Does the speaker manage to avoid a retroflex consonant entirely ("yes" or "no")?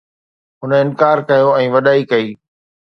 yes